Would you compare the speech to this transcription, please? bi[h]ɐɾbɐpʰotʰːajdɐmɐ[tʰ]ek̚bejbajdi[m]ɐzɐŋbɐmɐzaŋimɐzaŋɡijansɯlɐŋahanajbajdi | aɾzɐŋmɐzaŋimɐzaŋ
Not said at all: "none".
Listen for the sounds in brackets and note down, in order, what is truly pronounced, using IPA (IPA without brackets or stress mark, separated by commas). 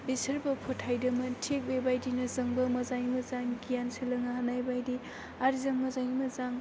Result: s, tʰ, n